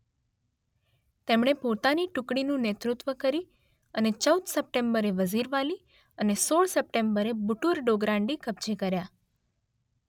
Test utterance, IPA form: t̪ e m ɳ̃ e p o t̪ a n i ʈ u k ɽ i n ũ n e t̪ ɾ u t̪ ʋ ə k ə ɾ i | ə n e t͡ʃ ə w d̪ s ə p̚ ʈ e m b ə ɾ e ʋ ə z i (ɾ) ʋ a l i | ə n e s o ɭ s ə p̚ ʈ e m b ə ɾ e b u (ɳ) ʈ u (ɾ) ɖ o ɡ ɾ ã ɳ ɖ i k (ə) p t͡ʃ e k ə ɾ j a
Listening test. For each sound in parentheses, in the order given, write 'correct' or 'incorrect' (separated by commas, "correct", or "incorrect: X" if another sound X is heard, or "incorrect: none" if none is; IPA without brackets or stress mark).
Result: correct, incorrect: none, correct, correct